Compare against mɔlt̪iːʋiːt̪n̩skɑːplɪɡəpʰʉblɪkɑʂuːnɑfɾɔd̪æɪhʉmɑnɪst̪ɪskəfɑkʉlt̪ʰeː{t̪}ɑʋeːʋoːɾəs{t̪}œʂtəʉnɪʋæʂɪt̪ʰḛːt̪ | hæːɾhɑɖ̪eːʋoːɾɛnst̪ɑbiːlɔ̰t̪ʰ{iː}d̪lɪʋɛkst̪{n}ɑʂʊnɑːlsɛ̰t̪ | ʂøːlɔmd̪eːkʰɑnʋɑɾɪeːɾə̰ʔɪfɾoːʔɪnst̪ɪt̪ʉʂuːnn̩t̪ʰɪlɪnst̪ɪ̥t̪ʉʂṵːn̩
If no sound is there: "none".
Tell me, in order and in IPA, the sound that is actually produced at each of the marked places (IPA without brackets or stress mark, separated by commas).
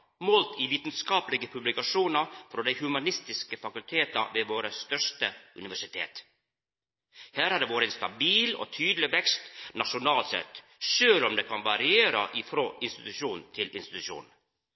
t̪, t̪, yː, n